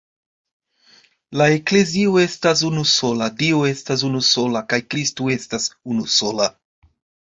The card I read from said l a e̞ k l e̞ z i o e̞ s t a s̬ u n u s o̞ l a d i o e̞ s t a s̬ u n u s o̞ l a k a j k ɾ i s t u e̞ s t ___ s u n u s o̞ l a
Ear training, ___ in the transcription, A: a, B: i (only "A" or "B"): A